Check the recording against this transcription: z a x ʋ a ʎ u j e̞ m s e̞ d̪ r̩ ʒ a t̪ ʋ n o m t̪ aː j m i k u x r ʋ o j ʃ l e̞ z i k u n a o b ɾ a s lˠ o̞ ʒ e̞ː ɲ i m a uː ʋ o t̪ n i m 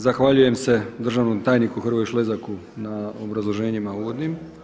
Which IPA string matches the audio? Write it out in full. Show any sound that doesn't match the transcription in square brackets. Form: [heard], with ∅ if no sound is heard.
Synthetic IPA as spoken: z a x ʋ a ʎ u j e̞ m s e̞ d̪ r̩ ʒ a [∅] ʋ n o m t̪ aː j [n] i k u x r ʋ o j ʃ l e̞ z [a] k u n a o b ɾ a [z] lˠ o̞ ʒ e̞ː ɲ i m a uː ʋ o [d̪] n i m